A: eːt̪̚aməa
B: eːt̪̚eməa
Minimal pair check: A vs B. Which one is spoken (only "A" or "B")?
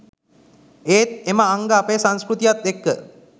B